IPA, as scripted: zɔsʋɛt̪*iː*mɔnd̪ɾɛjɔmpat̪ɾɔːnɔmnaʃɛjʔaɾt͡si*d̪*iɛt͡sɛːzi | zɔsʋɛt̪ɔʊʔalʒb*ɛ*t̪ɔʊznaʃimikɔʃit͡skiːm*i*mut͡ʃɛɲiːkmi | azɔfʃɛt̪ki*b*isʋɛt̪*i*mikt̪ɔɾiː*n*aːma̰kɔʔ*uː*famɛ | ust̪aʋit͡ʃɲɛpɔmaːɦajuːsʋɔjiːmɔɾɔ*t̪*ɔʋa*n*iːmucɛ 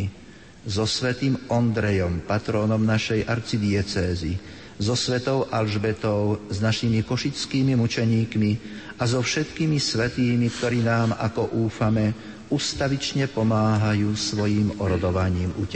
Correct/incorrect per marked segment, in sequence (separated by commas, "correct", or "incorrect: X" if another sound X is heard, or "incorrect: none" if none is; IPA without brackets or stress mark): correct, correct, correct, correct, incorrect: m, incorrect: iː, correct, correct, incorrect: d̪, incorrect: ɲ